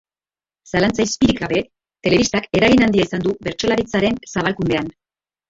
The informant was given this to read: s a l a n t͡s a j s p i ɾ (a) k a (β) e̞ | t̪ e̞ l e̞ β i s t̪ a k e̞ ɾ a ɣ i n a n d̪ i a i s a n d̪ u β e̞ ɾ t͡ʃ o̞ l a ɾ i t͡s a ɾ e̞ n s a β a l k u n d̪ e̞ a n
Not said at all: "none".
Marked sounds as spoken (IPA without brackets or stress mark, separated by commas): i, β